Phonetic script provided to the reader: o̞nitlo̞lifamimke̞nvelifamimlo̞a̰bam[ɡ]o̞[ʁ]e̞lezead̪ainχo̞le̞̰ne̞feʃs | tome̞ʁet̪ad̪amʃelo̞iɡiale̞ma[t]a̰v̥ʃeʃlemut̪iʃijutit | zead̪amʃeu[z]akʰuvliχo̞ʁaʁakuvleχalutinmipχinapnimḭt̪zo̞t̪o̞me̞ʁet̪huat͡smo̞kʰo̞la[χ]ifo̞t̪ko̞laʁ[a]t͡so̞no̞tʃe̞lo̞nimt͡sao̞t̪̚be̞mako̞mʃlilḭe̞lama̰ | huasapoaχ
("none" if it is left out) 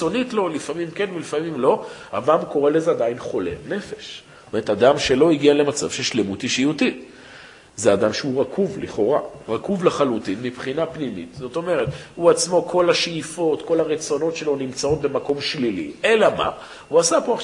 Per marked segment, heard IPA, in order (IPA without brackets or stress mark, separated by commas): k, ʁ, t͡s, ʁ, ʃ, e